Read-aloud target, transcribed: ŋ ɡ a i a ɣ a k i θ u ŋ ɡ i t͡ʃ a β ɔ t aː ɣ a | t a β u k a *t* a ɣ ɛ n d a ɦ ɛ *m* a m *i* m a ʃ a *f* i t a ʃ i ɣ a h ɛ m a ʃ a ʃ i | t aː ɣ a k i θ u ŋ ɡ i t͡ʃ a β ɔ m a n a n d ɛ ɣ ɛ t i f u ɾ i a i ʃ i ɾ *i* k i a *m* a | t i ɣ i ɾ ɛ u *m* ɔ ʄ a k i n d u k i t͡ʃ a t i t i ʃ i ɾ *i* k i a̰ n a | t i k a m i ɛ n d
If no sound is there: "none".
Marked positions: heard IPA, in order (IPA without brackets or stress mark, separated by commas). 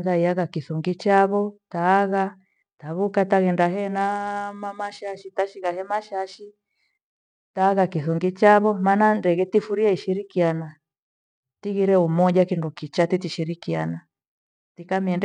t, n, a, ʃ, i, n, m, i